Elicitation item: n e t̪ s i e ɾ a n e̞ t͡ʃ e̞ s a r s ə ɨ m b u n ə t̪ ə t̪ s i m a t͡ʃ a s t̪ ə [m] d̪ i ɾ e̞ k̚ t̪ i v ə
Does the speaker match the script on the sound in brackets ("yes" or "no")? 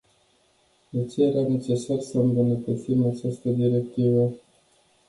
no